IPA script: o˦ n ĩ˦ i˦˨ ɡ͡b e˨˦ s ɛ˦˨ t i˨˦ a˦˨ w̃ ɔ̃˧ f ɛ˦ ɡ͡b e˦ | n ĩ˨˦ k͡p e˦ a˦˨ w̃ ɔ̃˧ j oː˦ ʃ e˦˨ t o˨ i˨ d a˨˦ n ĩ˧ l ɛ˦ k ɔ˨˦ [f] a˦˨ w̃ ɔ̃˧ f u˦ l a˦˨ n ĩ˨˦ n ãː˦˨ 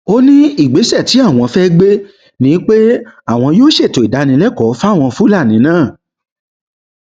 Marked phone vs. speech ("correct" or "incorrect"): correct